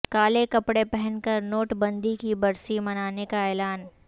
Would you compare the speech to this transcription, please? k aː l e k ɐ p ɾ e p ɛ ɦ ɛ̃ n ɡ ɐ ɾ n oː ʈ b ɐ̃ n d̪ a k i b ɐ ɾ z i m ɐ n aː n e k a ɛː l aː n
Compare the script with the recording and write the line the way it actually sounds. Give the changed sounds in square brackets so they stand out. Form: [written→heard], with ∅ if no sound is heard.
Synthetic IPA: k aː l e k ɐ p [ɾ→ɽ] e p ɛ ɦ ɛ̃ n [ɡ→k] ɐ ɾ n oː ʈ b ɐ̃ n d̪ [a→i] k i b ɐ ɾ [z→s] i m ɐ n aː n e k a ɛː l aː n